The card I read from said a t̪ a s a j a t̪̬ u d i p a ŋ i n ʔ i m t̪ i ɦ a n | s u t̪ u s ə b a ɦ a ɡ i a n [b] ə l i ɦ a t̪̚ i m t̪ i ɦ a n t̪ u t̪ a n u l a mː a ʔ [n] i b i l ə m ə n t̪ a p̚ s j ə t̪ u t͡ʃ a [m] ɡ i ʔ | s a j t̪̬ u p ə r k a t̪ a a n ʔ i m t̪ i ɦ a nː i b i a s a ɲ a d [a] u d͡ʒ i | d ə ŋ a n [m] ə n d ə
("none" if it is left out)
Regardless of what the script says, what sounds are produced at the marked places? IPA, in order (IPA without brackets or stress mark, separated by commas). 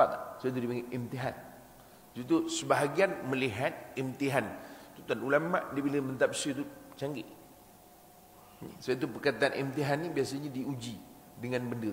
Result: m, d, ŋ, i, b